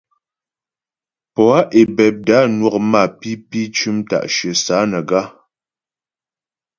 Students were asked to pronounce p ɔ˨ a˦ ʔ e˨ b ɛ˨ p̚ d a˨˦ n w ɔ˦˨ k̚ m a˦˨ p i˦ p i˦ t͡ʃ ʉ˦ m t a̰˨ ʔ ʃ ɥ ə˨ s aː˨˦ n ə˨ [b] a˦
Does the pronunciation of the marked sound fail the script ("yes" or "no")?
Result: yes